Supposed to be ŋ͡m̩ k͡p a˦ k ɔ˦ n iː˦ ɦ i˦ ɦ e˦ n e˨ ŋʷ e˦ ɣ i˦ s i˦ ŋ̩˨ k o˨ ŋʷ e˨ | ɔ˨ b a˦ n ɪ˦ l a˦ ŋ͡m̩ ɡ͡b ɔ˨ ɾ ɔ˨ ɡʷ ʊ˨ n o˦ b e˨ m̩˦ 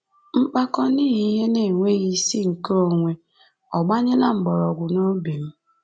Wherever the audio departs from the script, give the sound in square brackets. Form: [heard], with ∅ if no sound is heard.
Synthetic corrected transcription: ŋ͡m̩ k͡p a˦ k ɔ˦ n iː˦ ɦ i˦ ɦ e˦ n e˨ ŋʷ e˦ ɣ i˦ s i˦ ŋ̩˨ k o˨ ŋʷ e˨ | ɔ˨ [ɡ͡b] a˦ [ɲ] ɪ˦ l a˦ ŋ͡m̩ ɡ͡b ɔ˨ ɾ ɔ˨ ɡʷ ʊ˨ n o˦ b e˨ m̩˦